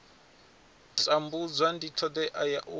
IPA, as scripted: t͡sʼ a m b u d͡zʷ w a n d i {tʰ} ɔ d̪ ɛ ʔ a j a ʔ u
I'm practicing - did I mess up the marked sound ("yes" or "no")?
no